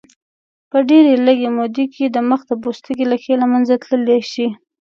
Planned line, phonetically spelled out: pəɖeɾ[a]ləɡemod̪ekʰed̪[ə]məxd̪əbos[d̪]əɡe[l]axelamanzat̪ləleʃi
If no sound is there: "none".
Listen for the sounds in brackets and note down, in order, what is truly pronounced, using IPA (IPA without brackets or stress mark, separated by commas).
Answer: e, ə, t̪, l